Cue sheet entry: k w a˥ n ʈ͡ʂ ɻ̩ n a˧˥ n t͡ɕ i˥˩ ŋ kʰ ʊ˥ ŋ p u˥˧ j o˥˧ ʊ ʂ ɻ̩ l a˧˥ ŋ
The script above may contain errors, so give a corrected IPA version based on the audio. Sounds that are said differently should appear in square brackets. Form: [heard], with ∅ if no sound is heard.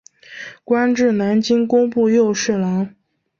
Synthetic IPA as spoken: k w a˥ n ʈ͡ʂ ɻ̩ n a˧˥ n t͡ɕ [i˥] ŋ [k] ʊ˥ ŋ p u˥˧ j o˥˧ ʊ ʂ ɻ̩ l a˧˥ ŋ

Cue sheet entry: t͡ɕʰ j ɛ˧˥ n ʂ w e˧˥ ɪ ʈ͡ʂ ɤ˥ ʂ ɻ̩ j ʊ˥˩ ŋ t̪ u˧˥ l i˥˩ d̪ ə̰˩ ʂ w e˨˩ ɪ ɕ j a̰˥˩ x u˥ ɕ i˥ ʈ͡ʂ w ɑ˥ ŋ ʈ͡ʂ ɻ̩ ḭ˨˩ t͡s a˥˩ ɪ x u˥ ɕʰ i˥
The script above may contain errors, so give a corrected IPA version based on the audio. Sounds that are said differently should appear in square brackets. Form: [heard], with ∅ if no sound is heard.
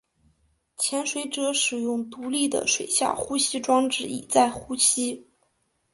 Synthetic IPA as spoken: t͡ɕʰ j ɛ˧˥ n ʂ w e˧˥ ɪ ʈ͡ʂ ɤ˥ ʂ ɻ̩ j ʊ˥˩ ŋ t̪ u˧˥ l i˥˩ d̪ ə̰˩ ʂ w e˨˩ ɪ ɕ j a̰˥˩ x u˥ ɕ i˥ ʈ͡ʂ w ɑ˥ ŋ ʈ͡ʂ ɻ̩ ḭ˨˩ t͡s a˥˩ ɪ x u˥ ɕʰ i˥

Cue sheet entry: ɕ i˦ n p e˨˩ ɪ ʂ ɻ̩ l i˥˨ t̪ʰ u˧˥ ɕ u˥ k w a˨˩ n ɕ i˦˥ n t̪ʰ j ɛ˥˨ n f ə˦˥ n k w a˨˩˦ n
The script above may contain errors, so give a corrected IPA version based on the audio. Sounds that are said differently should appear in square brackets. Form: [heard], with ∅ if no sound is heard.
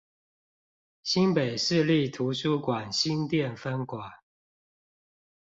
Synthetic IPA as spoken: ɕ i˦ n p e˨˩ ɪ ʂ ɻ̩ l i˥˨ t̪ʰ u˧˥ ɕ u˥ k w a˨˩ n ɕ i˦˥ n [t̪] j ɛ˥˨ n f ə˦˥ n k w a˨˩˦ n

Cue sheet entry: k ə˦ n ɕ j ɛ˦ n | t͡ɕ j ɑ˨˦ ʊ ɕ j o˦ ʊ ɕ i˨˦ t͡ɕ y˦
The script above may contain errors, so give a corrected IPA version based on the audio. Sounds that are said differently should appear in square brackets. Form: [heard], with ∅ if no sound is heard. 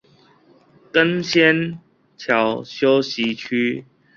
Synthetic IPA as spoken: k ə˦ n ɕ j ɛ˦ n | [t͡ɕʰ] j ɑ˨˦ ʊ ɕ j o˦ ʊ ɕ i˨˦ [t͡ɕʰ] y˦

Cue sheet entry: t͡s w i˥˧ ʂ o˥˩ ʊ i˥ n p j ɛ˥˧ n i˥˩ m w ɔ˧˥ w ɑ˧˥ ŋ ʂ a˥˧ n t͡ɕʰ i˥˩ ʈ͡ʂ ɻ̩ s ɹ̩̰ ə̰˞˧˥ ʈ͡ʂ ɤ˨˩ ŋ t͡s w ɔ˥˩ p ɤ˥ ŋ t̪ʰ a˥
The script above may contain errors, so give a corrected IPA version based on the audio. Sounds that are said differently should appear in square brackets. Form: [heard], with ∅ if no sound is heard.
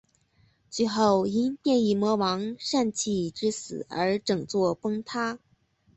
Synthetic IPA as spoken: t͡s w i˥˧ [x] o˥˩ ʊ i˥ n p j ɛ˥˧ n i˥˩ m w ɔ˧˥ w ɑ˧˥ ŋ ʂ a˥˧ n t͡ɕʰ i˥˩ ʈ͡ʂ ɻ̩ s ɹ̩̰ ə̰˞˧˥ ʈ͡ʂ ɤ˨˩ ŋ t͡s w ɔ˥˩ p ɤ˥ ŋ t̪ʰ a˥

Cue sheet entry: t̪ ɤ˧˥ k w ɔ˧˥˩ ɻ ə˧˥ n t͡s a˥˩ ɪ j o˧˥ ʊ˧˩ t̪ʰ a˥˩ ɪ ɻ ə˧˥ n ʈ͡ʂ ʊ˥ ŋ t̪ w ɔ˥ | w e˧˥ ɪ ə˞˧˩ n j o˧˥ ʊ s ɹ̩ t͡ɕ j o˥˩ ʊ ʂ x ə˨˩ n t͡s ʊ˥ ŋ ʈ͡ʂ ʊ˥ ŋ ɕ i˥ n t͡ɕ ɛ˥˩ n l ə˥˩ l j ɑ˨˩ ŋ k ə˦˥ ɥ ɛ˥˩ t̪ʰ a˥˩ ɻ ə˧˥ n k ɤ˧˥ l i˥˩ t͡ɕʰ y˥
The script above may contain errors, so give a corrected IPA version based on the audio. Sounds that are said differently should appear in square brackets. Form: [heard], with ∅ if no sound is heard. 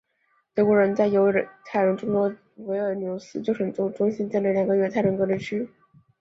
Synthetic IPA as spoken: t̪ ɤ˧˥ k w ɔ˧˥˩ ɻ ə˧˥ n t͡s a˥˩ ɪ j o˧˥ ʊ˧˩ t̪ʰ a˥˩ ɪ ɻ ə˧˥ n ʈ͡ʂ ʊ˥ ŋ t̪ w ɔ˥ | w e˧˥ ɪ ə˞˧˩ n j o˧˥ ʊ s ɹ̩ t͡ɕ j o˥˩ ʊ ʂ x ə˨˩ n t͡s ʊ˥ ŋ ʈ͡ʂ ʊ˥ ŋ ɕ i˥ n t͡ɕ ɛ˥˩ n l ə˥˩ l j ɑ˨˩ ŋ [ɡ] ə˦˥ ɥ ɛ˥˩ t̪ʰ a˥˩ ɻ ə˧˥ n k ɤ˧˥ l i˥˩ t͡ɕʰ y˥

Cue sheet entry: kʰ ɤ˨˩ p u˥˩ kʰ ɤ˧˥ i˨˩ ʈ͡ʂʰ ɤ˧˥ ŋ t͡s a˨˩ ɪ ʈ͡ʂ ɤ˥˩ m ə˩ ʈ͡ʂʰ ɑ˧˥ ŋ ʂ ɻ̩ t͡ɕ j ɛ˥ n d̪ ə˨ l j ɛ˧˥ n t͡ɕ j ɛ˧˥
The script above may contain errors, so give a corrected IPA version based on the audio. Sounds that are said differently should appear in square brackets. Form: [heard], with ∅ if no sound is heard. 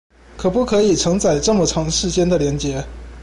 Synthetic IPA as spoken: kʰ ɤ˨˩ p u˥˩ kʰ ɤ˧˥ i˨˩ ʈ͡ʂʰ ɤ˧˥ ŋ t͡s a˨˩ ɪ ʈ͡ʂ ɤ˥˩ m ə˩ ʈ͡ʂʰ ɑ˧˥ ŋ ʂ ɻ̩ t͡ɕ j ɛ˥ n d̪ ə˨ l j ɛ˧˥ n t͡ɕ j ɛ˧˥

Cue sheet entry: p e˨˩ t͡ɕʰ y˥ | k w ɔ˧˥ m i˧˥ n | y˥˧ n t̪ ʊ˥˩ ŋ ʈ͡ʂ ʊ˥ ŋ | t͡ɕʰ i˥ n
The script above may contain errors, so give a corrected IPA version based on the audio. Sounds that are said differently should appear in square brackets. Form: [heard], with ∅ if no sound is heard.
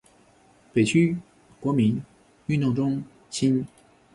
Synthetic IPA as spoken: p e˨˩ t͡ɕʰ y˥ | k w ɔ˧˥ m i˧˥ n | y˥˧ n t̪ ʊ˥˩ ŋ ʈ͡ʂ ʊ˥ ŋ | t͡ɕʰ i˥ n

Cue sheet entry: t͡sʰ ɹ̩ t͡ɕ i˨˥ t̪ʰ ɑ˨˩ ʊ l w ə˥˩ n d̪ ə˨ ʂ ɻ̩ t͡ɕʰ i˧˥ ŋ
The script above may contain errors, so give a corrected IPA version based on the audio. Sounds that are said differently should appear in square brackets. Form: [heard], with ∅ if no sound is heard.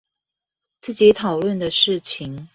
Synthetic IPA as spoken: [t͡s] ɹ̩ t͡ɕ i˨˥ t̪ʰ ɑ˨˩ ʊ l w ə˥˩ n d̪ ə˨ ʂ ɻ̩ t͡ɕʰ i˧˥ ŋ

